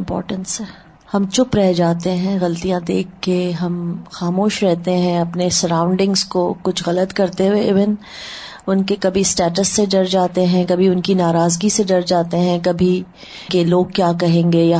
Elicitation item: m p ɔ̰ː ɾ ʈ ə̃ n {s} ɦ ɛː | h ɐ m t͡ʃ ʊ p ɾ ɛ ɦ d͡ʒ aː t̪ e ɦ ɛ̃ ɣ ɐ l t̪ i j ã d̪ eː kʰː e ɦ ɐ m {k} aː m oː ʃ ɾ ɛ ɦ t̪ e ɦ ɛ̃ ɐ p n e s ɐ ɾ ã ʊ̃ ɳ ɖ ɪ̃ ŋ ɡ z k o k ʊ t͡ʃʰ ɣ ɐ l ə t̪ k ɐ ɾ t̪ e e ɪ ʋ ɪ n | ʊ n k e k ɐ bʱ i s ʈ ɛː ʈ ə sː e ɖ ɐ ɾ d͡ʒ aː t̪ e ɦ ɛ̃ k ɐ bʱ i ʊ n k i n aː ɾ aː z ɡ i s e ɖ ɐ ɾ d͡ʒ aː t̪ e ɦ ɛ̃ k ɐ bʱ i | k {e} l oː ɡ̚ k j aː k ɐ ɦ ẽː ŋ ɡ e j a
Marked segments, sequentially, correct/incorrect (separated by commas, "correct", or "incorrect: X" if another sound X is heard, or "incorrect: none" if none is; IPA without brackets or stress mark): correct, incorrect: x, correct